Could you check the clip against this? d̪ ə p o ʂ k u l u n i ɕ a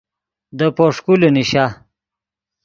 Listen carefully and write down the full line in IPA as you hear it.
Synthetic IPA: d̪ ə p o ʂ k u l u n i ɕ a